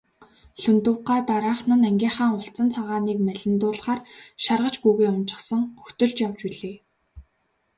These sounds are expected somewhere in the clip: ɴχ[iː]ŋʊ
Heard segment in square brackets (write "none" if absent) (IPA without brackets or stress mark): aː